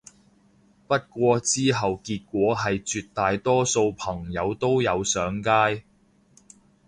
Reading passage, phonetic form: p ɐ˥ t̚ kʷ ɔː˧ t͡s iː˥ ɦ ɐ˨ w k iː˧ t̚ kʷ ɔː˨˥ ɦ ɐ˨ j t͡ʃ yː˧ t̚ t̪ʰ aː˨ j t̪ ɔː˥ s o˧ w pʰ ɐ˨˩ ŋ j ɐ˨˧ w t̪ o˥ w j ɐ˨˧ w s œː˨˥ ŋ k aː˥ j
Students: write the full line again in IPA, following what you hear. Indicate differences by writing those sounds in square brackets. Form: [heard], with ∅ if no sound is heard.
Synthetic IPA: p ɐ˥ t̚ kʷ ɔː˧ t͡s iː˥ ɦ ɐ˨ w k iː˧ t̚ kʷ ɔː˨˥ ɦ ɐ˨ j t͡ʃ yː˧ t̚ [t̪] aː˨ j t̪ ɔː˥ s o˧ w pʰ ɐ˨˩ ŋ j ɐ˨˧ w t̪ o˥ w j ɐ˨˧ w s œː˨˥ ŋ k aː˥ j

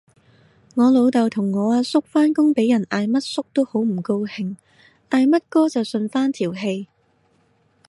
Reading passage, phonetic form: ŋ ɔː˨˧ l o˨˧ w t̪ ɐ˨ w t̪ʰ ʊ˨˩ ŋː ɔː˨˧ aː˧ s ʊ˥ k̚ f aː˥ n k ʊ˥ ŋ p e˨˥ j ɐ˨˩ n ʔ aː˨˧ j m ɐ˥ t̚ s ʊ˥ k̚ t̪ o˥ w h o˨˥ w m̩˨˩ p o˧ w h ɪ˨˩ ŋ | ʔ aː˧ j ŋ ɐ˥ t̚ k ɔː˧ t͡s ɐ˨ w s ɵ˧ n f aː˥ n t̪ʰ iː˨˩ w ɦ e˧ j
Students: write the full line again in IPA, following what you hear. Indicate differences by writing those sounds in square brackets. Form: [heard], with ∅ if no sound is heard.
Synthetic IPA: ŋ ɔː˨˧ l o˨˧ w t̪ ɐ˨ w t̪ʰ ʊ˨˩ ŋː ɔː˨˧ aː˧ s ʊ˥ k̚ f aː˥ n k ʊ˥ ŋ p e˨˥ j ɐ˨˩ n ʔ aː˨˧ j m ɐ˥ t̚ s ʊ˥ k̚ t̪ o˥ w h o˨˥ w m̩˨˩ [k] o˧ w h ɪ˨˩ ŋ | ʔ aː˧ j [m] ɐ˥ t̚ k [ɔː˥] t͡s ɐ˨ w s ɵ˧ n f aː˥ n t̪ʰ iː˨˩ w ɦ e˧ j

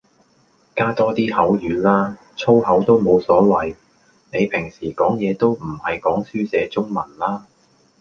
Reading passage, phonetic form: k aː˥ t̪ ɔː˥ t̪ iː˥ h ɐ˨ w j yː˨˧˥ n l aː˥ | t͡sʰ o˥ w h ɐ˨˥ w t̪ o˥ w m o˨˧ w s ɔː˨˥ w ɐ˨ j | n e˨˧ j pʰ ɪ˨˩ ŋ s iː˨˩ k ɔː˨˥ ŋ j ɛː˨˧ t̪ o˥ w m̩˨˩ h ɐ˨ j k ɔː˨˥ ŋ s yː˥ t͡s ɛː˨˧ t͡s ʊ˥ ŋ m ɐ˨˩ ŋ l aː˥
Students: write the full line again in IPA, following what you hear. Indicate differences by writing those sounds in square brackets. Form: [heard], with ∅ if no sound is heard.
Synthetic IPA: k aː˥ t̪ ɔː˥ t̪ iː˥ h [ɐ˨˥] w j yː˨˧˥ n l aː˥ | t͡sʰ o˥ w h ɐ˨˥ w t̪ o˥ w m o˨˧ w s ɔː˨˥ w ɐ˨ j | n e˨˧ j pʰ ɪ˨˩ ŋ s iː˨˩ k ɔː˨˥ ŋ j ɛː˨˧ t̪ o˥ w m̩˨˩ h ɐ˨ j k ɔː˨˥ ŋ s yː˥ t͡s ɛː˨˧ t͡s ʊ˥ ŋ m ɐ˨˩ [n] l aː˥

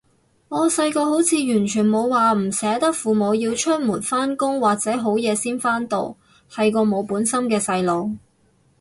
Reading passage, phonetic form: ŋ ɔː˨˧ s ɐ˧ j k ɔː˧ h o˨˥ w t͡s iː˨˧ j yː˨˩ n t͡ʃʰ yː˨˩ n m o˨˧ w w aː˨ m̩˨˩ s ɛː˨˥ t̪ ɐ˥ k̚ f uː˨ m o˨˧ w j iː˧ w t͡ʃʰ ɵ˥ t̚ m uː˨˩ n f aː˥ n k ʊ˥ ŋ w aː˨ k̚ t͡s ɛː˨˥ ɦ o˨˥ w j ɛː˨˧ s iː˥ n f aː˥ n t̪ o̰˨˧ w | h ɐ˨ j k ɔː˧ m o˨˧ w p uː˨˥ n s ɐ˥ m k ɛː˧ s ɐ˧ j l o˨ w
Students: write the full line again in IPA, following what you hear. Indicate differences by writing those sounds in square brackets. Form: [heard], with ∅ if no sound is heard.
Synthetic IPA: ŋ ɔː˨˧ s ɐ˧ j k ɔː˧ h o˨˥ w [t͡sʰ] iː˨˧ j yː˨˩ n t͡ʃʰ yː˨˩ n m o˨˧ w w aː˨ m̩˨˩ s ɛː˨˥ t̪ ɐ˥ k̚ f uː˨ m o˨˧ w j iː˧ w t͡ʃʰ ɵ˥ t̚ m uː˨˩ n f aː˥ n k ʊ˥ ŋ w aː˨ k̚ t͡s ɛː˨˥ ɦ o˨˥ w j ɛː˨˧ s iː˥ n f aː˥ n t̪ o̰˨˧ w | h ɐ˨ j k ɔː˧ m o˨˧ w p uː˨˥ n s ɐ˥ m k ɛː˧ s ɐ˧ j l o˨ w

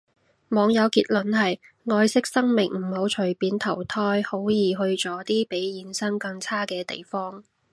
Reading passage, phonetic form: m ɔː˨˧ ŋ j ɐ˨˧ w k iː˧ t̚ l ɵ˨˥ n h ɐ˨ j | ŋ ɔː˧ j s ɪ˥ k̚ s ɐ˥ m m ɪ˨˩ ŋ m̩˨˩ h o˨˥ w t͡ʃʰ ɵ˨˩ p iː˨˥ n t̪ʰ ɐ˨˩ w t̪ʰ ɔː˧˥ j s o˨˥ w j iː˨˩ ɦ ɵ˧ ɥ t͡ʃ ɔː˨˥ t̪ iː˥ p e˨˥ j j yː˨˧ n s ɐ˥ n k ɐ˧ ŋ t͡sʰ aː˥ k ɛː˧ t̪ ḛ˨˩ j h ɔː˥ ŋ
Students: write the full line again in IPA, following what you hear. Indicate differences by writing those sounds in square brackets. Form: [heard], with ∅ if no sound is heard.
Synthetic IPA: m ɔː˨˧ ŋ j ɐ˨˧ w k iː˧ t̚ l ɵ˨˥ n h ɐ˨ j | ŋ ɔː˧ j s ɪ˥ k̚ s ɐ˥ [ŋ] m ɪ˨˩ ŋ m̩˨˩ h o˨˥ w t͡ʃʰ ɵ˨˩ p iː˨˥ n t̪ʰ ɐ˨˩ w t̪ʰ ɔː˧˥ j [h] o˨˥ w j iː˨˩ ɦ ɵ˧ ɥ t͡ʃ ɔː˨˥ t̪ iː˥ p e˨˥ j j [iː˨˧] n s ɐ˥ [ŋ] k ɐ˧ ŋ t͡sʰ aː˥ k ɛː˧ t̪ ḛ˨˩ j [f] ɔː˥ ŋ

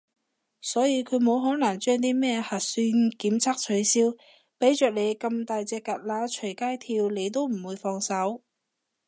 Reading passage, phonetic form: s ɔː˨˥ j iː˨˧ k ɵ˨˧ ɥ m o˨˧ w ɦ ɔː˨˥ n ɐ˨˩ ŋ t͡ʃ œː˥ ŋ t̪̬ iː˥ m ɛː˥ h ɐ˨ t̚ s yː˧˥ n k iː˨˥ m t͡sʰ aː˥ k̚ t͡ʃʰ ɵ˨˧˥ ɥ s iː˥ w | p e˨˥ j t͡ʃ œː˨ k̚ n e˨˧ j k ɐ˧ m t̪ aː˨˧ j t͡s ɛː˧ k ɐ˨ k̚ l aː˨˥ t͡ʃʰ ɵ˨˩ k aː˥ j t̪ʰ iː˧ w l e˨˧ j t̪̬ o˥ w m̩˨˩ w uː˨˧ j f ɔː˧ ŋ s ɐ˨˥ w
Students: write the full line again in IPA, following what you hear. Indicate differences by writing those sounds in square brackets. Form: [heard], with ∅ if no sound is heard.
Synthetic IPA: s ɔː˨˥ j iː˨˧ [kʰ] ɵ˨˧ ɥ m o˨˧ w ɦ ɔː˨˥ n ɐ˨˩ ŋ t͡ʃ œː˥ ŋ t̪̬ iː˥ m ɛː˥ h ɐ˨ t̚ s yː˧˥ n k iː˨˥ m t͡sʰ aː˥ k̚ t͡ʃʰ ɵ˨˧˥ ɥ s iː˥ w | p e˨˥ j t͡ʃ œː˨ k̚ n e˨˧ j k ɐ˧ m t̪ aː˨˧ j t͡s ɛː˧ k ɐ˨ [t̚] l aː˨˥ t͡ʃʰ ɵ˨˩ k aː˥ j t̪ʰ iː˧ w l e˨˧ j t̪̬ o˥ w m̩˨˩ w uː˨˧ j f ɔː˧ ŋ s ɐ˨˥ w

